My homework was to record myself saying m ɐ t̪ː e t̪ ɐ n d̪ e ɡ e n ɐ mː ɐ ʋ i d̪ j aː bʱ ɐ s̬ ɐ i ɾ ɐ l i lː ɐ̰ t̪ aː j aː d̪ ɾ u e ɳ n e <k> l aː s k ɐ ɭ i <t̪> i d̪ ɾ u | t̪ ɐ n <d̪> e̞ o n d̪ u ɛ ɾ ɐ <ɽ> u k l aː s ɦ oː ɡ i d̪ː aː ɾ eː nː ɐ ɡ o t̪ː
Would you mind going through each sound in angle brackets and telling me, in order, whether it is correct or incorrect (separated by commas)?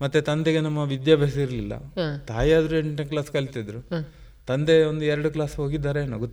correct, correct, correct, correct